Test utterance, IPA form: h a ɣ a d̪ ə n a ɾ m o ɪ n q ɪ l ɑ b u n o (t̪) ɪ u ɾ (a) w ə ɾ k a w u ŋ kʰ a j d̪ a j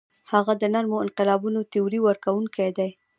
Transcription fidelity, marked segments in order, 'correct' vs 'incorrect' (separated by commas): correct, incorrect